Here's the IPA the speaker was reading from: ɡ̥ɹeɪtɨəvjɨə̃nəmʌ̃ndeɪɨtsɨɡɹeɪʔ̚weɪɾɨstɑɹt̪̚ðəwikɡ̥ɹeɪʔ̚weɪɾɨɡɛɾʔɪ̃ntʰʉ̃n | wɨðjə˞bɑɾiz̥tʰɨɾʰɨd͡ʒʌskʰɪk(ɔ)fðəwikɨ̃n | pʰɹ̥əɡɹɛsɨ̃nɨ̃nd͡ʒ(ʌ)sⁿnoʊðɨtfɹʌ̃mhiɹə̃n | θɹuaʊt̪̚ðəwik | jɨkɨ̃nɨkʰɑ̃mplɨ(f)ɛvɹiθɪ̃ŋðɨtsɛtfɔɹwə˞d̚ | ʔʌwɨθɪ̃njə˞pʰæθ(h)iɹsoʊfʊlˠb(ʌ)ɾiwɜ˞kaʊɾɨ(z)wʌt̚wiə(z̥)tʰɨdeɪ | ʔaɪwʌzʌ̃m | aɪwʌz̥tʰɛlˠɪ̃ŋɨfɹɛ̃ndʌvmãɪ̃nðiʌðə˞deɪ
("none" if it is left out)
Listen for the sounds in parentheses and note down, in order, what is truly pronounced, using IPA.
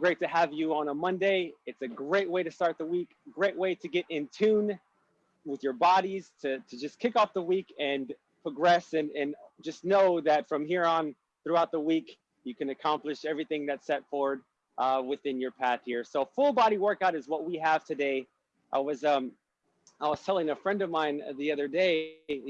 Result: ɔ, ʌ, ʃ, h, ɑ, z, v̥

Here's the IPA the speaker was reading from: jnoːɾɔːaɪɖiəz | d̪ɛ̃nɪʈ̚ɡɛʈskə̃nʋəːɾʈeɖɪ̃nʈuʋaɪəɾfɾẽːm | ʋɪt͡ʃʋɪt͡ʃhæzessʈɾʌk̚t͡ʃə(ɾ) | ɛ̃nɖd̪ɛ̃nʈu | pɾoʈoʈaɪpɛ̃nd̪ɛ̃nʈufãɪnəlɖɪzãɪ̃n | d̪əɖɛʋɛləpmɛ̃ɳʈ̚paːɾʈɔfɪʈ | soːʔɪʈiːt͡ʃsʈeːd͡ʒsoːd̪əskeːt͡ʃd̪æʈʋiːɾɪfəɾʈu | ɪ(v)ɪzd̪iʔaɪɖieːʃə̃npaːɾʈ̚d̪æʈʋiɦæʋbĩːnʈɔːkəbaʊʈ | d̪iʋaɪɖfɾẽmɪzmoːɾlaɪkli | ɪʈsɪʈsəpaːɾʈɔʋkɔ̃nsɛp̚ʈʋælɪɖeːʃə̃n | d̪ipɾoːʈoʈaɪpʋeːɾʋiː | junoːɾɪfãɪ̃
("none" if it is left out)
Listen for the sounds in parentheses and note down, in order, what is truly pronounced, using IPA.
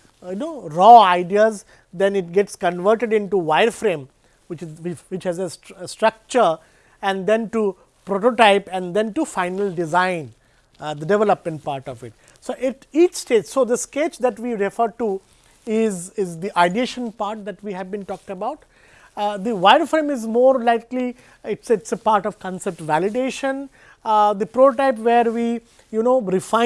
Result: ɾ, z

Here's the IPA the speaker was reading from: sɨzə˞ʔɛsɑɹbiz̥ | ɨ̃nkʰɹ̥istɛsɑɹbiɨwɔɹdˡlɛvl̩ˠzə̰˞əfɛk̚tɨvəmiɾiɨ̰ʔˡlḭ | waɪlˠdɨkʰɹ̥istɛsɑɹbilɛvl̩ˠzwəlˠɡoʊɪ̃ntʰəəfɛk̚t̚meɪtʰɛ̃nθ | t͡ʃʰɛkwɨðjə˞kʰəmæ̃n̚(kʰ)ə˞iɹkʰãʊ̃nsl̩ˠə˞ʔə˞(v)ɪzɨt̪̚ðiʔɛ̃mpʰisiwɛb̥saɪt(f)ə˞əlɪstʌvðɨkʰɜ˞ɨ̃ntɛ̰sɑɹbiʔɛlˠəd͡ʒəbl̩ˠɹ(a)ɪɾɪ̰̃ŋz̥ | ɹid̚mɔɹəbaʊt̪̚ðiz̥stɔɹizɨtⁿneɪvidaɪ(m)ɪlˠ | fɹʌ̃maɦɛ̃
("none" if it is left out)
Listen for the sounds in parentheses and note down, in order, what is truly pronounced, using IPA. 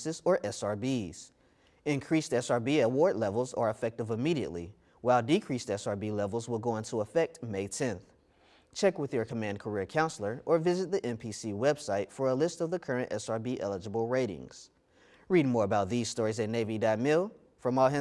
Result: kʰ, v, f, e, m

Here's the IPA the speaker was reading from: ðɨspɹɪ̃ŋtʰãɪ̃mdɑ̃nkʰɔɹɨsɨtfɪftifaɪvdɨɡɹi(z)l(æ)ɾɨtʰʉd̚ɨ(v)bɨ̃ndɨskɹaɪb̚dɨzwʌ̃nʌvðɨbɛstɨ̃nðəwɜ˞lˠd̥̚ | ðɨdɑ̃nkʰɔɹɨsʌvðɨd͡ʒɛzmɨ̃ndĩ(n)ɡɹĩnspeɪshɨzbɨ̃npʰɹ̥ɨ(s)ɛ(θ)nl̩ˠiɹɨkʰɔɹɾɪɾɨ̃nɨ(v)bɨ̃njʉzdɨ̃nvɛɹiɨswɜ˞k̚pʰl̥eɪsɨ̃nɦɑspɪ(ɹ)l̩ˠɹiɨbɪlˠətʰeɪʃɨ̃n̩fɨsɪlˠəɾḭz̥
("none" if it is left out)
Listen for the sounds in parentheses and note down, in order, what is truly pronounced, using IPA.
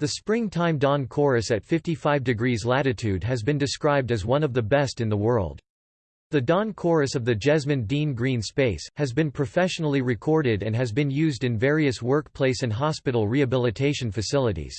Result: z, æ, z, n, f, ʃ, z, ɾ

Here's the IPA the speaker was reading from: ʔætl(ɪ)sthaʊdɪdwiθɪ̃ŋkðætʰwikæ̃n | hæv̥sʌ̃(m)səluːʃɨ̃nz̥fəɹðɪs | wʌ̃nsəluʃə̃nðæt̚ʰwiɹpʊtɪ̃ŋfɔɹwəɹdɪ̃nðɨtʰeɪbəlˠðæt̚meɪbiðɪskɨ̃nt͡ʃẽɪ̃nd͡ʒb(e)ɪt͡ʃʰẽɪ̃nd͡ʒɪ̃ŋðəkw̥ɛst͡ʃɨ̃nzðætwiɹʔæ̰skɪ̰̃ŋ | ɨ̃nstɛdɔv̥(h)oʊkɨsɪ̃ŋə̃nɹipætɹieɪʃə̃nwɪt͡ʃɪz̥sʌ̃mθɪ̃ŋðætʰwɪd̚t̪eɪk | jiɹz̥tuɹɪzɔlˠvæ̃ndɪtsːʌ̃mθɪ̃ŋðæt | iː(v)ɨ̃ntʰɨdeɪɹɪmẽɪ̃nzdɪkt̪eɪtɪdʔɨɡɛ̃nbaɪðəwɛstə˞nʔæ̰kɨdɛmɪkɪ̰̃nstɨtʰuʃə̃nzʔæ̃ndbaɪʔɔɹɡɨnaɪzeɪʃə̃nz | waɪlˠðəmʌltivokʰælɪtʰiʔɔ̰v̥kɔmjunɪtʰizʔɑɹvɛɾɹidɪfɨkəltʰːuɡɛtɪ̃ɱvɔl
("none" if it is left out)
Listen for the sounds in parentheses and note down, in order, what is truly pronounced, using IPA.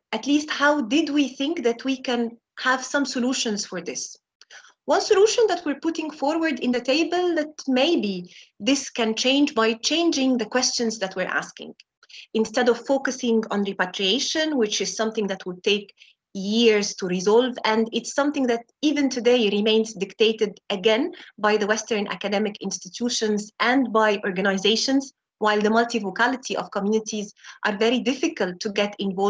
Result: i, m, a, f, v

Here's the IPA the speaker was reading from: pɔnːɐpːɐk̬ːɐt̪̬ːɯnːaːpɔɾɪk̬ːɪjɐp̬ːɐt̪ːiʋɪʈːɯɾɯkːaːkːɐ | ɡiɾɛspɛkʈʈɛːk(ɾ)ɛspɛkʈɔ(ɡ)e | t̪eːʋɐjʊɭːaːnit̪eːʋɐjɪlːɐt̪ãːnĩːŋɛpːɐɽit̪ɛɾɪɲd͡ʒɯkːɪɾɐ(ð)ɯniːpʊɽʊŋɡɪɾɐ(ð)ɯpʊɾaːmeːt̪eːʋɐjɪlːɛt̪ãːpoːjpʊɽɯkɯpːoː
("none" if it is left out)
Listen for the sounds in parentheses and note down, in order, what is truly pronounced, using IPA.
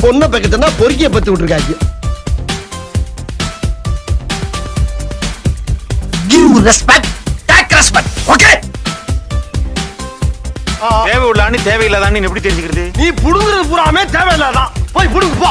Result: ɾ, k, ð, ð

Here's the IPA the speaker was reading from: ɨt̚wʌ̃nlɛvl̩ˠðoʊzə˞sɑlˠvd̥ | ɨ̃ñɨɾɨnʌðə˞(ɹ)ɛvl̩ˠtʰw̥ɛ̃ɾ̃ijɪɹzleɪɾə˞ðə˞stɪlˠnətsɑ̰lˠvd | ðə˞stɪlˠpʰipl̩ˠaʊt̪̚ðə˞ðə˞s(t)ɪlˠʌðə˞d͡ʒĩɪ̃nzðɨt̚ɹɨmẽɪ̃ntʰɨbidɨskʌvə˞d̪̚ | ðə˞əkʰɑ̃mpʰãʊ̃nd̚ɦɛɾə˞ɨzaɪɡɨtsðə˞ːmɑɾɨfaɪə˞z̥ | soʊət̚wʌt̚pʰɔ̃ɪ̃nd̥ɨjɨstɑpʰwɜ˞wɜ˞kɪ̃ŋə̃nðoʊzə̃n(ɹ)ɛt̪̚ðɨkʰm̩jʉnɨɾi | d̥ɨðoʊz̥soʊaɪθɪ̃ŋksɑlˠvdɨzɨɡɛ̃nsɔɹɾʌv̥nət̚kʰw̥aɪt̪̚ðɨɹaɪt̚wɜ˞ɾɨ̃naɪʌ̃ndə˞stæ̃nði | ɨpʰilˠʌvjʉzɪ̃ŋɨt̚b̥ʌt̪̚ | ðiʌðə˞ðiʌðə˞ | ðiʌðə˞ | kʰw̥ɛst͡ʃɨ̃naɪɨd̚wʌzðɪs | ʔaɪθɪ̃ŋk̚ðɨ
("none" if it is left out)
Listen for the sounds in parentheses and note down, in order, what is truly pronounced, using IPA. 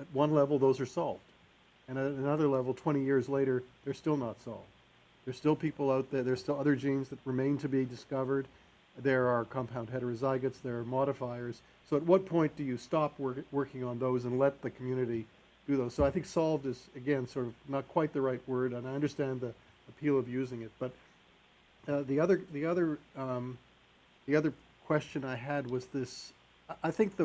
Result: l, t, l

